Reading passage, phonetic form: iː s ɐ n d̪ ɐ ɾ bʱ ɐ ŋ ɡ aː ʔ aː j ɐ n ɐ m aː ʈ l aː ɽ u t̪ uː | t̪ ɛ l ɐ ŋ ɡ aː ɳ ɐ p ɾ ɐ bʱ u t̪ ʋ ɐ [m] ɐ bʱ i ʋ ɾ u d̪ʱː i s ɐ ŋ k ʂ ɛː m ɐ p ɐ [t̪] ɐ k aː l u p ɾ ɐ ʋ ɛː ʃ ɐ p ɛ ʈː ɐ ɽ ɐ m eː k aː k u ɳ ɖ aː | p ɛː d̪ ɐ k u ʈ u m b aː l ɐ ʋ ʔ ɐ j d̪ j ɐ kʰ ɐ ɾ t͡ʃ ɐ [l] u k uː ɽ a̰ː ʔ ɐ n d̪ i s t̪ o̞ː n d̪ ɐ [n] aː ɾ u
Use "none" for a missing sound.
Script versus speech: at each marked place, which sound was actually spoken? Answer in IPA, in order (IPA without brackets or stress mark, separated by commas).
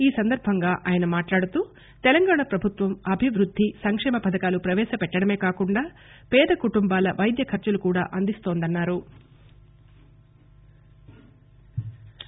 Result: m, d̪, l, nː